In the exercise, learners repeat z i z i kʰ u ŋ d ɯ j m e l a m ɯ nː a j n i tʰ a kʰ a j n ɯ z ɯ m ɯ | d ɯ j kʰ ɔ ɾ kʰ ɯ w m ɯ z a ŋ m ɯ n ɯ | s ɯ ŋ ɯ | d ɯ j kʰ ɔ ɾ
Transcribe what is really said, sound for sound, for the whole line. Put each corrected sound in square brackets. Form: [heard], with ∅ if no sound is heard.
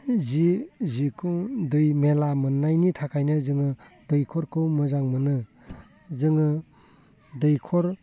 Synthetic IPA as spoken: z i z i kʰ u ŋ d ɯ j m e l a m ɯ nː a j n i tʰ a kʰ a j n ɯ z ɯ [ŋ] ɯ | d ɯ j kʰ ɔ ɾ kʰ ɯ w m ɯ z a ŋ m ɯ n ɯ | [z] ɯ ŋ ɯ | d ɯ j kʰ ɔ ɾ